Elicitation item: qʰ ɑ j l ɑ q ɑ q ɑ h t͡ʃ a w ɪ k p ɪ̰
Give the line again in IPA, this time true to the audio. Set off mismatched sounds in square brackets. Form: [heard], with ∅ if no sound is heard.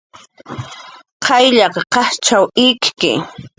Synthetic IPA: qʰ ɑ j [ʎ] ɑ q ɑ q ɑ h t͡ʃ a w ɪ k [k] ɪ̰

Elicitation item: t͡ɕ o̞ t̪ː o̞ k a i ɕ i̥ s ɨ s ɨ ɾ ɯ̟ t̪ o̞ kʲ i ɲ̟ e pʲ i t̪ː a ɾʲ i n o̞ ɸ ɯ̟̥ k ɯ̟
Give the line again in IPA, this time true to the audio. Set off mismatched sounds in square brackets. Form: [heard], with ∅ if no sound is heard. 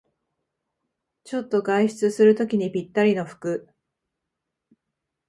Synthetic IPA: t͡ɕ o̞ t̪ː o̞ [ɡ] a i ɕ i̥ [t͡s] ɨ s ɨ ɾ ɯ̟ t̪ o̞ kʲ i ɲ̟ [i] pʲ i t̪ː a ɾʲ i n o̞ ɸ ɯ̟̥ k ɯ̟

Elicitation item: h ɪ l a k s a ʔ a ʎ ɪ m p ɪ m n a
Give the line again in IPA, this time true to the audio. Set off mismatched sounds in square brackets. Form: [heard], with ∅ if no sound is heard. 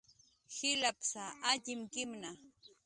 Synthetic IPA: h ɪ l a [p] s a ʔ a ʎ ɪ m [k] ɪ m n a

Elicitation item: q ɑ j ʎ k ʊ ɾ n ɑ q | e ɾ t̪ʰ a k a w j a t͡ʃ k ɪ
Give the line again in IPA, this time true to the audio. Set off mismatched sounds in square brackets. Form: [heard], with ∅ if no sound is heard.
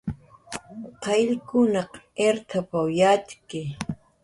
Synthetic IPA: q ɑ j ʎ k ʊ [∅] n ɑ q | e ɾ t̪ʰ a [p] a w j a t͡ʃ k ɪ

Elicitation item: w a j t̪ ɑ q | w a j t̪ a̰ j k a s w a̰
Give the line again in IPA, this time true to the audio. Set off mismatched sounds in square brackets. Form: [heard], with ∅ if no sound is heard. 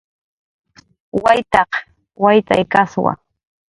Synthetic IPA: w a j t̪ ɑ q | w a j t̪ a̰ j k a s w a̰

